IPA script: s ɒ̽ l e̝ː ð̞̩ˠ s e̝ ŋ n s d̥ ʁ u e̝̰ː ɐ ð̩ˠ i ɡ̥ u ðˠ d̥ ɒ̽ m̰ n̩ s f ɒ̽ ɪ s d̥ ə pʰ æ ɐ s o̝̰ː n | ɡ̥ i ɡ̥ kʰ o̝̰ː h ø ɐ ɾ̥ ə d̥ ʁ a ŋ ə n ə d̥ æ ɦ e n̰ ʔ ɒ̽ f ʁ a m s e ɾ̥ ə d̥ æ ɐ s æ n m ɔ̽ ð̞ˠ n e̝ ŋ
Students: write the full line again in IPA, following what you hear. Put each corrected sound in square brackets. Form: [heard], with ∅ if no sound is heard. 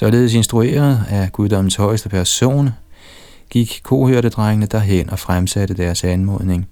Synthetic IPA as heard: s ɒ̽ l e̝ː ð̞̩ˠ s e̝ [∅] n s d̥ ʁ u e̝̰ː ɐ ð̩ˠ [æ] ɡ̥ u ðˠ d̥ ɒ̽ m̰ n̩ s [h] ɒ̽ ɪ s d̥ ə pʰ æ ɐ s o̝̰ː n | ɡ̥ i ɡ̥ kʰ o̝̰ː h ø ɐ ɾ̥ ə d̥ ʁ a ŋ ə n ə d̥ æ ɦ e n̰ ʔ ɒ̽ f ʁ a m s [æ] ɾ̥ ə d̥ æ ɐ s æ n m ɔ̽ ð̞ˠ n e̝ ŋ